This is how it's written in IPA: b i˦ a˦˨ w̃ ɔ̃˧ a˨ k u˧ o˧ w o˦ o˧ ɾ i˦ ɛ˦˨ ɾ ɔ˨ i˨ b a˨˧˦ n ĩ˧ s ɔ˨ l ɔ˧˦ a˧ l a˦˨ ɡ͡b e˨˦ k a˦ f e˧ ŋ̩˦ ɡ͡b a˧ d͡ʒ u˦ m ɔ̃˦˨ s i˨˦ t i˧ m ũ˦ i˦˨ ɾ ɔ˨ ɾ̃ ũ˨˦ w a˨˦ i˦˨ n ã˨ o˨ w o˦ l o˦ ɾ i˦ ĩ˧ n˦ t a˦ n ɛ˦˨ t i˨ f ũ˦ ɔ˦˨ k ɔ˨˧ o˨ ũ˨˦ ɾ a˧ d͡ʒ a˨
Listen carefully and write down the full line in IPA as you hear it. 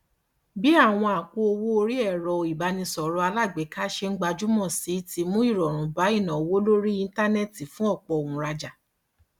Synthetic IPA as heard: b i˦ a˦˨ w̃ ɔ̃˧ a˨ k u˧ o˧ w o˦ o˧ ɾ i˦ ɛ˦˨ ɾ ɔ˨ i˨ b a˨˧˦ n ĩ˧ s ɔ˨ ɾ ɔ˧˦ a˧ l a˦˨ ɡ͡b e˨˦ k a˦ ʃ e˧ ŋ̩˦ ɡ͡b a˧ d͡ʒ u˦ m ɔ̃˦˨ s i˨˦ t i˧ m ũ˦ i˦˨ ɾ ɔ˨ ɾ̃ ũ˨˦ b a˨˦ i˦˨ n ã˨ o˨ w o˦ l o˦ ɾ i˦ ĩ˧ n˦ t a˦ n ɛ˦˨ t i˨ f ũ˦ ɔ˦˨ k͡p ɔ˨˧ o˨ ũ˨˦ ɾ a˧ d͡ʒ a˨